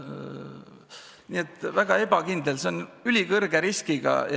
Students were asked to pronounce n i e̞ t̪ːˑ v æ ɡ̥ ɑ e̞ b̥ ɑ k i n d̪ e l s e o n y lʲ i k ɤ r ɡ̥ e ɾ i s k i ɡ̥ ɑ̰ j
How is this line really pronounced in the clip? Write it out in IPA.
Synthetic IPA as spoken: n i e̞ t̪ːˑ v æ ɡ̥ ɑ e̞ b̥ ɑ k i n d̪ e l s e o n y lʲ i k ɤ r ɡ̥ e ɾ i s k i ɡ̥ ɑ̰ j